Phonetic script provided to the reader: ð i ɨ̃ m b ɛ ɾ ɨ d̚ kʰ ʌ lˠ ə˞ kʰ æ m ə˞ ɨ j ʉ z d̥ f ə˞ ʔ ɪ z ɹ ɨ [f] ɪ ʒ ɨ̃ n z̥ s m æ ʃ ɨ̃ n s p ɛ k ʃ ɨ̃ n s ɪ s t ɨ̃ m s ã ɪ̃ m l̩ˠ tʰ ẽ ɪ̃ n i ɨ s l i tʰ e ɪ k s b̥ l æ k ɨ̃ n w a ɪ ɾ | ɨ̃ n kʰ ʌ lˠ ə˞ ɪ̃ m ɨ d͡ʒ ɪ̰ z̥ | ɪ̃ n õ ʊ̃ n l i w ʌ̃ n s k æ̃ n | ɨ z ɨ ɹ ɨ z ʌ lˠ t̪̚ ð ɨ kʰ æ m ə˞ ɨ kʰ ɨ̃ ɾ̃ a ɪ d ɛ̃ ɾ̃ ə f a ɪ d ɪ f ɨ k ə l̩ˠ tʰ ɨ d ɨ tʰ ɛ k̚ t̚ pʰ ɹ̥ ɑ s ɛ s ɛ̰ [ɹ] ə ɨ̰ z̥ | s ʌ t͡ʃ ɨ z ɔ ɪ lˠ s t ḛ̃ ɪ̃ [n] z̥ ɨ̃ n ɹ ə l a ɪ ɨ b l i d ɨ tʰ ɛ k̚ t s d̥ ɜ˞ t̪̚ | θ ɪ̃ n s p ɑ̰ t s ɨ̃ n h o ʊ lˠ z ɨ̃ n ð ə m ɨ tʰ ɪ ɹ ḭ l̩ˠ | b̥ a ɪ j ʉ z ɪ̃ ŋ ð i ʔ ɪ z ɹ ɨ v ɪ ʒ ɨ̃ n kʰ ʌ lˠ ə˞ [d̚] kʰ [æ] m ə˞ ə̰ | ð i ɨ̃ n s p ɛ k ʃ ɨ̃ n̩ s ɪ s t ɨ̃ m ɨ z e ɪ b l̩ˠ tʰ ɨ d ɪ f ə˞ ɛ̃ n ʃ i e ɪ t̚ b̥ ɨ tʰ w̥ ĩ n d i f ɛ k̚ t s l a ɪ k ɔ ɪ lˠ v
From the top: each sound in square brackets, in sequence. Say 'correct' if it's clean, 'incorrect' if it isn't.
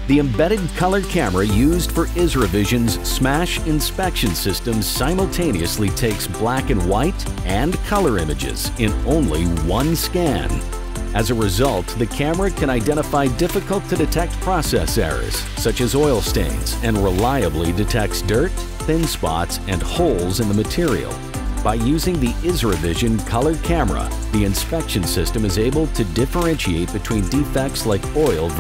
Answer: incorrect: v, correct, correct, correct, correct

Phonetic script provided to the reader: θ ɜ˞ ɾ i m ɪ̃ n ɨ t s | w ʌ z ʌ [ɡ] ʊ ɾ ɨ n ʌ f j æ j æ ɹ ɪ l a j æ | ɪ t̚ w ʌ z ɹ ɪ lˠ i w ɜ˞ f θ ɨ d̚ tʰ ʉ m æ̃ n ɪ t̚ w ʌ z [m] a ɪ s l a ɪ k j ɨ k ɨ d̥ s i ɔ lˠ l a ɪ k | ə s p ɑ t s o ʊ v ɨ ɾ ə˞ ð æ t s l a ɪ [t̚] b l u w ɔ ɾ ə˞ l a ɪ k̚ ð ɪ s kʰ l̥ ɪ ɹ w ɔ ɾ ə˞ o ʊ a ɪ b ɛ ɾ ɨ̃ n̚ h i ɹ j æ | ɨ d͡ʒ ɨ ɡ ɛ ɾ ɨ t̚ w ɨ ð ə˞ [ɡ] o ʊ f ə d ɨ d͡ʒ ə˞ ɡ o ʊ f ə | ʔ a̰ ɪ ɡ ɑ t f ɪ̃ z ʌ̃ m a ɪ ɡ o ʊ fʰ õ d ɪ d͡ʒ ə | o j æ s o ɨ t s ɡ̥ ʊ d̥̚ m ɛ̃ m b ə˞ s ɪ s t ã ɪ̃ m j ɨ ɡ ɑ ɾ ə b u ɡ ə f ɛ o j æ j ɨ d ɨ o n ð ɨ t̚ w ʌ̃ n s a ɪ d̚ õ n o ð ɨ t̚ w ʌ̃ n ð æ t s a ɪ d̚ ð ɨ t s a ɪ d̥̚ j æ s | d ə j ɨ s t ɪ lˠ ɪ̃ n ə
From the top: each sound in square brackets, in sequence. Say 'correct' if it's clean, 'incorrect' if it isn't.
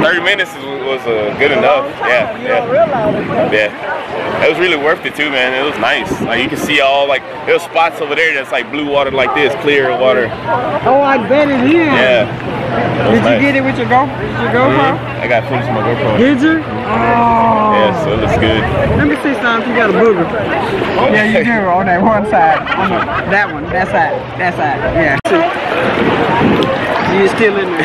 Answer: correct, incorrect: n, incorrect: k̚, correct

